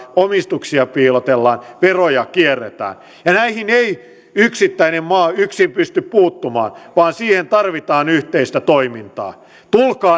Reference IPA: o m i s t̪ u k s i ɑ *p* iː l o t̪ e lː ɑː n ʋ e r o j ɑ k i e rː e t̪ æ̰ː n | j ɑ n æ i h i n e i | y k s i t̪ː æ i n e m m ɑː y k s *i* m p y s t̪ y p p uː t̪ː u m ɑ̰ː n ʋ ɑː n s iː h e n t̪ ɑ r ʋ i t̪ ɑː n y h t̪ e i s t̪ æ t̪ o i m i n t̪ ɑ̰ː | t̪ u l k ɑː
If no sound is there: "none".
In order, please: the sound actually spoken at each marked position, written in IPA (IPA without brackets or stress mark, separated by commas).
p, i